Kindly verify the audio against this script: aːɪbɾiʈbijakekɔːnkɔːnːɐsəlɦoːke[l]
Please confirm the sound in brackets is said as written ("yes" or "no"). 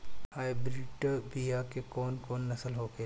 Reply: no